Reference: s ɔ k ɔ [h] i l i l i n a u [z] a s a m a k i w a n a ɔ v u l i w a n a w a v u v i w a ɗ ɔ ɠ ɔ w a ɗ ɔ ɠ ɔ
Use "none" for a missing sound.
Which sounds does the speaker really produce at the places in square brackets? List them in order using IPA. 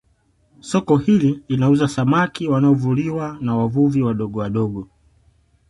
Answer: h, z

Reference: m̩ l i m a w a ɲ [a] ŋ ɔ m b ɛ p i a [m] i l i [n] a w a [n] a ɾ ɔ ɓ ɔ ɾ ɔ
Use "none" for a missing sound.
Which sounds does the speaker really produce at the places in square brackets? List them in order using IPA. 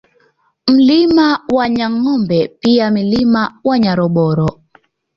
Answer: a, m, m, ɲ

